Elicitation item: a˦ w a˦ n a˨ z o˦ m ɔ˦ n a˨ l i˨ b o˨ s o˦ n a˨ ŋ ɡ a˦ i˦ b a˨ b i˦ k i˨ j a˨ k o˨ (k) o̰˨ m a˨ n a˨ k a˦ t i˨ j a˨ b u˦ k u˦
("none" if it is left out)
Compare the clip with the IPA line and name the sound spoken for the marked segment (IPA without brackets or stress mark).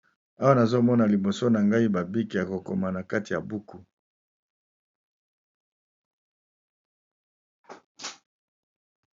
k